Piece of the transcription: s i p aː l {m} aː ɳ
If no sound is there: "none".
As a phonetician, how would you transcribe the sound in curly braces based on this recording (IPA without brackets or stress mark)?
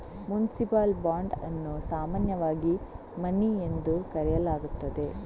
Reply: b